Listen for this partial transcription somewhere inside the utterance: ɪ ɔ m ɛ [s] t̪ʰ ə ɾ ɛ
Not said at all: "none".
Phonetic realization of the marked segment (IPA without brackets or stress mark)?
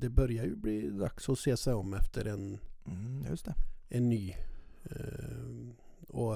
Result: f